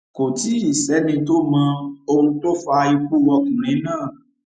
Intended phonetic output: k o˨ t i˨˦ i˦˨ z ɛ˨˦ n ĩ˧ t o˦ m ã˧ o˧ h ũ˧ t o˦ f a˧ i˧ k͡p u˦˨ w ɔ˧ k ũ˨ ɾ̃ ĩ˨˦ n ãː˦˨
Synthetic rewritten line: k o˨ t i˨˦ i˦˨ s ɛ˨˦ n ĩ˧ t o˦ m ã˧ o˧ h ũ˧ t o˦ f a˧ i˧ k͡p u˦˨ w ɔ˧ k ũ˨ ɾ̃ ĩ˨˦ n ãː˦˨